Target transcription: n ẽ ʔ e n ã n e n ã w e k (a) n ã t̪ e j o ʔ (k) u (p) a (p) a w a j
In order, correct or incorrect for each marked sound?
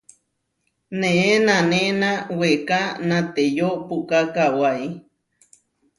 correct, incorrect, incorrect, incorrect

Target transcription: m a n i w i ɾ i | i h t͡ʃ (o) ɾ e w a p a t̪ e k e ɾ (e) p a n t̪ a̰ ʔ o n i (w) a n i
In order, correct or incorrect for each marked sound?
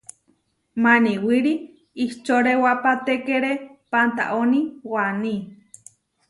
correct, correct, correct

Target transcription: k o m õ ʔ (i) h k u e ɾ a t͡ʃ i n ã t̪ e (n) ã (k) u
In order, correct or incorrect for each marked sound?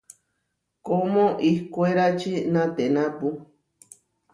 correct, correct, incorrect

